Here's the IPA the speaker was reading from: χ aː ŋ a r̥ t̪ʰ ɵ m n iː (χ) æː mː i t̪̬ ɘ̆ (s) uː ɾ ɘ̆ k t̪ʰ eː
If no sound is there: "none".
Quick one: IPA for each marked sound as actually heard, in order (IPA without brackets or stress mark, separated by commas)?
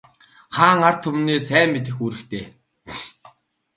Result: s, x